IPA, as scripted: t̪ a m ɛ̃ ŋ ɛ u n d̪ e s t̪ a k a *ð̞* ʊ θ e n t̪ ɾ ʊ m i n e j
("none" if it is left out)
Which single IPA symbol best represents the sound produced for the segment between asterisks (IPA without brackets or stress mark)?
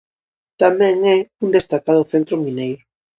ð̞